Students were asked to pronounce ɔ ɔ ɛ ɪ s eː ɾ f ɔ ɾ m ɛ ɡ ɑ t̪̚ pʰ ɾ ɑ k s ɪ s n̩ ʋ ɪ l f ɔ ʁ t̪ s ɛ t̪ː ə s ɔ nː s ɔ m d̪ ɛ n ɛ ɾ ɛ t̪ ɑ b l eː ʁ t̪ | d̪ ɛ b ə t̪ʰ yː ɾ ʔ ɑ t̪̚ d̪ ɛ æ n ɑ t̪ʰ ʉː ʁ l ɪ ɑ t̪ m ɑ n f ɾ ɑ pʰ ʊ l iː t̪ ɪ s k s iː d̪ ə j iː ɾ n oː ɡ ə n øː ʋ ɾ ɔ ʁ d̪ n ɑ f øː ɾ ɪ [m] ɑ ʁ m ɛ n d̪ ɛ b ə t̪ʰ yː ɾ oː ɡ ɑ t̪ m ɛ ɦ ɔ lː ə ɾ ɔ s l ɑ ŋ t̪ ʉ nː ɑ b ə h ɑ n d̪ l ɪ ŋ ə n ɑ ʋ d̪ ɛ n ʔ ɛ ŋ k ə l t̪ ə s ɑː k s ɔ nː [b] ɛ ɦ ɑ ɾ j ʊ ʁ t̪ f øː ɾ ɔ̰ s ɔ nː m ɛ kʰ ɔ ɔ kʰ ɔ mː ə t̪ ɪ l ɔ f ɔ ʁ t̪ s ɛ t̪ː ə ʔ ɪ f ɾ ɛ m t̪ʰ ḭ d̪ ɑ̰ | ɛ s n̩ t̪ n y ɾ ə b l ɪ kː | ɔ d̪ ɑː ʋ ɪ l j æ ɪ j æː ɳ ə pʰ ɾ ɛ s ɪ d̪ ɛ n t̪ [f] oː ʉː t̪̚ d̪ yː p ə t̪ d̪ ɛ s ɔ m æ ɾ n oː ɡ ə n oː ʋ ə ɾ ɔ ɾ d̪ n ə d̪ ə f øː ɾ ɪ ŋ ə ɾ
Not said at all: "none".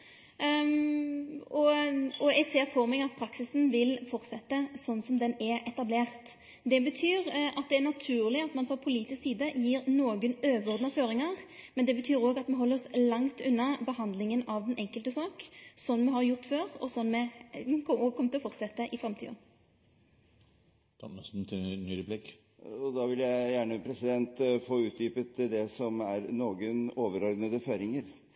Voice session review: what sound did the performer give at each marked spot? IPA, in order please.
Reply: ŋ, m, f

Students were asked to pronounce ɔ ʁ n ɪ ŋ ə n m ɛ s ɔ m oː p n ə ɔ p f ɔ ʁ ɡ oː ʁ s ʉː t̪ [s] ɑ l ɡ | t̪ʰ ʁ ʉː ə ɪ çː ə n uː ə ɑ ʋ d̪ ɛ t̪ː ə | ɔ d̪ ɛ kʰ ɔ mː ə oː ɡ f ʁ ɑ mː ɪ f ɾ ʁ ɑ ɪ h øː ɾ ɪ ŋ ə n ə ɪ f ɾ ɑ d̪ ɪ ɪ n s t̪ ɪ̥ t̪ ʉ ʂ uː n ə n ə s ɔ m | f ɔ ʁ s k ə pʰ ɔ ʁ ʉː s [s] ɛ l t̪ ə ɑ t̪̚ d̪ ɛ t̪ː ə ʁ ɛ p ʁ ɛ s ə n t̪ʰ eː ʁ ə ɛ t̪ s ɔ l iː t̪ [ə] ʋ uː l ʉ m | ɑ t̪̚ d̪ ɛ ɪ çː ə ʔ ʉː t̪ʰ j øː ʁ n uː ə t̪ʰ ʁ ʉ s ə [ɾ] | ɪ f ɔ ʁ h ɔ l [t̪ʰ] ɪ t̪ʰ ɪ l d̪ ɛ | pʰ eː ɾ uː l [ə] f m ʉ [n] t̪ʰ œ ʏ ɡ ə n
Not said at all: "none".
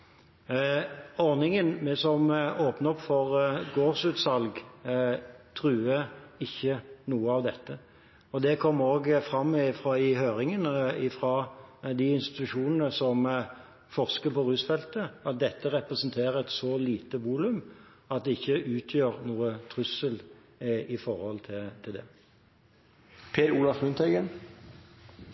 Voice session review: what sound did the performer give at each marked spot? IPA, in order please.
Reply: s, f, ə, l, t̪ʰ, ɑ, n

